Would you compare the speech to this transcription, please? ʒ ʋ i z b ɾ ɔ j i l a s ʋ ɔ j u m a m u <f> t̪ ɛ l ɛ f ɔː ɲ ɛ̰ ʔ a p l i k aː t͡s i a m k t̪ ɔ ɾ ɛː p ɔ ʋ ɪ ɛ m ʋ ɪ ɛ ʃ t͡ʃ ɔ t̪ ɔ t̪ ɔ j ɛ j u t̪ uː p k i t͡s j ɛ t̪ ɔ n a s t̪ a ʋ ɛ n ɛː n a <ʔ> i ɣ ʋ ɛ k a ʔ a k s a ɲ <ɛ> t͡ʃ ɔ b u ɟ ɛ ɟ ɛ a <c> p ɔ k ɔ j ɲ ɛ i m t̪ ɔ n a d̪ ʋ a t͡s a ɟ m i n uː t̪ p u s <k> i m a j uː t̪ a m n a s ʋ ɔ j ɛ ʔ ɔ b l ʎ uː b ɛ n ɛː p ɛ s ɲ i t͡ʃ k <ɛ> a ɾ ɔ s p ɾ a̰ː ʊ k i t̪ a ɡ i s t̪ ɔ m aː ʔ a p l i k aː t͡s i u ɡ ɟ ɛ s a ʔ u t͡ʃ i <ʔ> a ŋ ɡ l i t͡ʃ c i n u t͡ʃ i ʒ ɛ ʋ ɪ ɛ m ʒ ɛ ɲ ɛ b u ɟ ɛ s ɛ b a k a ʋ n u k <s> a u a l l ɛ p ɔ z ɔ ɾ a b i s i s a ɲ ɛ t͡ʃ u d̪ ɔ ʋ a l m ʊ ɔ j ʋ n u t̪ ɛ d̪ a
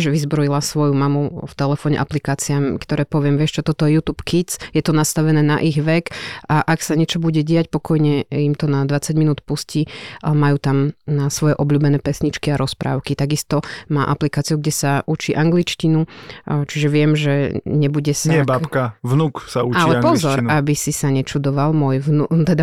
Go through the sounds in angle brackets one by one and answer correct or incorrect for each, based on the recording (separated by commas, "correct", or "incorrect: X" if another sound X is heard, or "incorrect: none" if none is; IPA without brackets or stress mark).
correct, correct, correct, correct, incorrect: c, incorrect: i, correct, correct